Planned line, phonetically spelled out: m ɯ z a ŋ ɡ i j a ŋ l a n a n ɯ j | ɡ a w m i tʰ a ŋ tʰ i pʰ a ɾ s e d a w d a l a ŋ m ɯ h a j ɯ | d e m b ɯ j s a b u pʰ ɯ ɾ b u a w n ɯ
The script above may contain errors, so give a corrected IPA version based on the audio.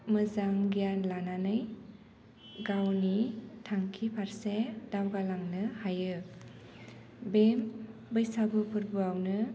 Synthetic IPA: m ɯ z a ŋ ɡ i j a n l a n a n ɯ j | ɡ a w n i tʰ a ŋ kʰ i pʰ a ɾ s e d a w ɡ a l a ŋ n ɯ h a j ɯ | b e m b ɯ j s a b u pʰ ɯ ɾ b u a w n ɯ